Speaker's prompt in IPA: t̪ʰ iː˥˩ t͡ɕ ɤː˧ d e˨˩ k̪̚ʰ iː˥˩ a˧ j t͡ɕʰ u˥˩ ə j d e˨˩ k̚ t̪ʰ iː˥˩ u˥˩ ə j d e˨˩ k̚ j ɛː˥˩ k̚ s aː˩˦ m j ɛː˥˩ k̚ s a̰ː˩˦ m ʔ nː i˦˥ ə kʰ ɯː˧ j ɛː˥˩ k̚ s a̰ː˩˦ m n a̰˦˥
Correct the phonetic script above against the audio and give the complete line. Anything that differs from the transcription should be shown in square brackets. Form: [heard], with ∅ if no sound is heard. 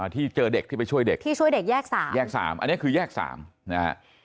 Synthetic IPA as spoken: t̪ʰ iː˥˩ t͡ɕ ɤː˧ d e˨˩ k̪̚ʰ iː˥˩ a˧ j t͡ɕʰ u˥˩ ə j d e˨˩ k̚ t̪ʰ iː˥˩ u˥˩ ə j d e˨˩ k̚ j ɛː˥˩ k̚ s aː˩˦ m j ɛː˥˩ k̚ s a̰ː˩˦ m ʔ nː i˦˥ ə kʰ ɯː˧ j ɛː˥˩ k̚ s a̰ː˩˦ m n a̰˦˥